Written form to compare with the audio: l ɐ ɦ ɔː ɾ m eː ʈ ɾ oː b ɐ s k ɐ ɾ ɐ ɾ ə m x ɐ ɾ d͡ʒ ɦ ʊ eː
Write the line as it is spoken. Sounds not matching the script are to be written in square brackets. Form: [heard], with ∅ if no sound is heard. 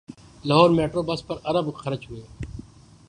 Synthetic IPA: l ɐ ɦ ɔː ɾ m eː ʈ ɾ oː b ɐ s [p] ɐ ɾ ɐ ɾ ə [b] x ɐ ɾ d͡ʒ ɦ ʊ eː